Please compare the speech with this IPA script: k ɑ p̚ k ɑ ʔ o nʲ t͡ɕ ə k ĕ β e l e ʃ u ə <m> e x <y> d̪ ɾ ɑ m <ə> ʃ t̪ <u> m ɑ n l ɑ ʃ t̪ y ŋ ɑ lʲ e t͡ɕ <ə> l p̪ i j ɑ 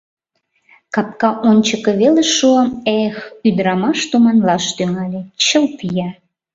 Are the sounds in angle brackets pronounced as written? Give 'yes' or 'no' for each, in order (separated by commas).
yes, yes, no, yes, yes